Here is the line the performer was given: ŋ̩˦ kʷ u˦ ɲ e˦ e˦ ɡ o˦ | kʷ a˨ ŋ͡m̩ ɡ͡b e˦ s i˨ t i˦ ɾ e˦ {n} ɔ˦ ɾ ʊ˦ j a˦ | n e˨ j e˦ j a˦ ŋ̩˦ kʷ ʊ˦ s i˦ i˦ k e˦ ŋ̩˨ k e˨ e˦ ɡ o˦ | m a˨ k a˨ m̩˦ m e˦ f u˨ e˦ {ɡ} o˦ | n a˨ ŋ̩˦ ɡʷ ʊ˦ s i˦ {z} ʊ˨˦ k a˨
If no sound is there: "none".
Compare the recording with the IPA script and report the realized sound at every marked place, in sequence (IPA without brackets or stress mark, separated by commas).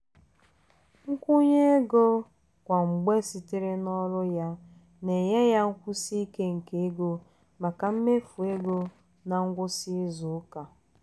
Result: n, ɡ, z